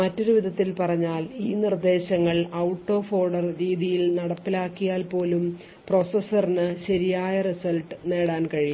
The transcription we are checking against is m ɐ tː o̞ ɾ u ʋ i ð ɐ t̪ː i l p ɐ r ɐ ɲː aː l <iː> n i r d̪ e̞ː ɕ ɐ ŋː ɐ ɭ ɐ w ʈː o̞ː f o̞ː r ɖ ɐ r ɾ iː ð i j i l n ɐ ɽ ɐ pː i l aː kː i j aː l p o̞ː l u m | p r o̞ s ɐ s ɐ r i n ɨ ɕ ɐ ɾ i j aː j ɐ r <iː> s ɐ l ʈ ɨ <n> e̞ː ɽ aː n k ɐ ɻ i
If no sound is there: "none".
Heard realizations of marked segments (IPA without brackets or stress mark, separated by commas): iː, i, n